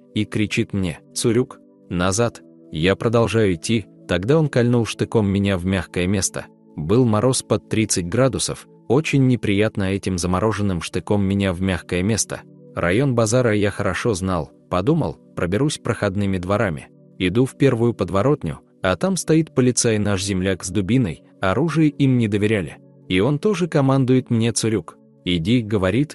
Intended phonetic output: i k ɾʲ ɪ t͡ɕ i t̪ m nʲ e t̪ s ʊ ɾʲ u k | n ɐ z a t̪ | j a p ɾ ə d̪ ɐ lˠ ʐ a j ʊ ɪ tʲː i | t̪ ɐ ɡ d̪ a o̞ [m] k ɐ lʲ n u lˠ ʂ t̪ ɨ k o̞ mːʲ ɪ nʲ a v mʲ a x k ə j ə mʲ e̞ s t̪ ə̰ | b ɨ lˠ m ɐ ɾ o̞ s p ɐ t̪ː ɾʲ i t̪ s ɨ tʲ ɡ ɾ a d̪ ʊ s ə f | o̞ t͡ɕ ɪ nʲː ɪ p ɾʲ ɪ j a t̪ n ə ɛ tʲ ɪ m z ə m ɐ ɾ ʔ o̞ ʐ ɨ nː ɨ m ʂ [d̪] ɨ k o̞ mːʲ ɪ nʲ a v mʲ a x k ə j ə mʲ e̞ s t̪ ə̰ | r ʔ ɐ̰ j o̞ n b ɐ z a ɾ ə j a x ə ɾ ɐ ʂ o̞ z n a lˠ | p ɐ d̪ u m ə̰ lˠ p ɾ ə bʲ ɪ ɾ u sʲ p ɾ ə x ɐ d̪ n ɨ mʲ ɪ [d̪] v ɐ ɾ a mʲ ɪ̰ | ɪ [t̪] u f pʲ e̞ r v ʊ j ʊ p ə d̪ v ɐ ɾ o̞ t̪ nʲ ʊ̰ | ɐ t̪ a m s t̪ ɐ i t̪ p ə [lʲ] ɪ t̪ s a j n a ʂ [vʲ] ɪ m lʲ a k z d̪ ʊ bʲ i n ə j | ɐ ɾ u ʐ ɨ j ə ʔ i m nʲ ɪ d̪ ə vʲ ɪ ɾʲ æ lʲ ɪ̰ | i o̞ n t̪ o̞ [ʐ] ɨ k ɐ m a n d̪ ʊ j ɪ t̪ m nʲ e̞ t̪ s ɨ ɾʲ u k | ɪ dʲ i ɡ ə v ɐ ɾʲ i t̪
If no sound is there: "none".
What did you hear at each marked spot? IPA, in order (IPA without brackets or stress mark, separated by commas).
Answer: n, t̪, d̪, d̪, lʲ, zʲ, ʐ